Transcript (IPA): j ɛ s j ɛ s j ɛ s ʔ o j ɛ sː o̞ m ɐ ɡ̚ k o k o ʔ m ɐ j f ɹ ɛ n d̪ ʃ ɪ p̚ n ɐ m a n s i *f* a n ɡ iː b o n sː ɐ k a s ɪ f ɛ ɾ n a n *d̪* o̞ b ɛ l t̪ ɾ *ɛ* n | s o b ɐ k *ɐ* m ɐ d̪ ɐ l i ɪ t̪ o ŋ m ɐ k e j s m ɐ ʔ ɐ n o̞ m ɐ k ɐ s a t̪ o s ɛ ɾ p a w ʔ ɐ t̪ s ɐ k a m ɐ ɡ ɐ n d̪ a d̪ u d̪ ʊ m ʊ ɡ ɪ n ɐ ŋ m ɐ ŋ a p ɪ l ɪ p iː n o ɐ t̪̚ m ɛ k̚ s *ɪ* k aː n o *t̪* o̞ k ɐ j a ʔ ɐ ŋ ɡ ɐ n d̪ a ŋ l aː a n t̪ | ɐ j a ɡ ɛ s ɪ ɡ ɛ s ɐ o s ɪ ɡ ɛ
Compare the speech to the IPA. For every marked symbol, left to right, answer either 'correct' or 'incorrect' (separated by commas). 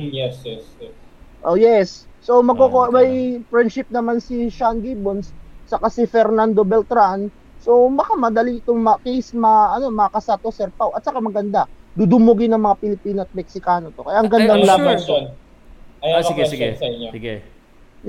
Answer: incorrect, correct, incorrect, incorrect, correct, correct